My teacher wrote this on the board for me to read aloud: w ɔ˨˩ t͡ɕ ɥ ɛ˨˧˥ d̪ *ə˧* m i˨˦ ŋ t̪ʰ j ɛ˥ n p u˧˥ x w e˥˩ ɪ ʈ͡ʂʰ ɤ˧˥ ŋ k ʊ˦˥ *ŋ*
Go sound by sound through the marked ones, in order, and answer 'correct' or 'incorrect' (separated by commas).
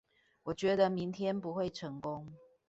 correct, correct